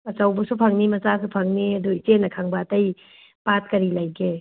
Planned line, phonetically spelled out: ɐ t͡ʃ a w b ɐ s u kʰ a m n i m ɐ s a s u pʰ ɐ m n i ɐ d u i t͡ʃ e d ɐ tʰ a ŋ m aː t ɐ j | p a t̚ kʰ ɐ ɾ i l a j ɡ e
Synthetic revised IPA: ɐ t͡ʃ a w b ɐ s u pʰ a ŋ n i m ɐ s a s u pʰ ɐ ŋ n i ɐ d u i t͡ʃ e n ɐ kʰ a ŋ b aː t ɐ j | p a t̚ k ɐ ɾ i l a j ɡ e